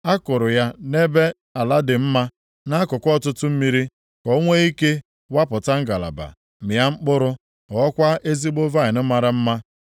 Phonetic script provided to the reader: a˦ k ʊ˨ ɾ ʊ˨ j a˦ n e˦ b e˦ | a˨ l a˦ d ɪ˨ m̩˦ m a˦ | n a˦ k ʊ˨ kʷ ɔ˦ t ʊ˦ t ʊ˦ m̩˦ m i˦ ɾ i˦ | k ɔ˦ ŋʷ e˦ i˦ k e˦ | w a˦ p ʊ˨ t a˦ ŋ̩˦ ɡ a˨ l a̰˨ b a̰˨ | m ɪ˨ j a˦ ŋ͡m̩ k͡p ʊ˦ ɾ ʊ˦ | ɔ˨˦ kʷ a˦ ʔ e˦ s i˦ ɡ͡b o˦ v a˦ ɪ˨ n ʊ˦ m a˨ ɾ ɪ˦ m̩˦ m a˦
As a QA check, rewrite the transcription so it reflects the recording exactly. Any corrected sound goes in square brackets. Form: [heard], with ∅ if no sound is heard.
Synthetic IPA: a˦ k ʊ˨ ɾ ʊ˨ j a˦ n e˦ b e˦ | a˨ l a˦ d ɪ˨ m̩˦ m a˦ | n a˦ k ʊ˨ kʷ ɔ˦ t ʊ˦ t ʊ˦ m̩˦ m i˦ ɾ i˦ | k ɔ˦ ŋʷ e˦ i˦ k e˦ | w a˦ p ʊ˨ t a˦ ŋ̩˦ ɡ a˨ l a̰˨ b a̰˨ | m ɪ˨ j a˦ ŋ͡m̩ k͡p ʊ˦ ɾ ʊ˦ | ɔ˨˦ kʷ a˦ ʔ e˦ [z] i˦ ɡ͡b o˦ v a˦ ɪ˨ n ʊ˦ m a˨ ɾ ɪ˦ m̩˦ m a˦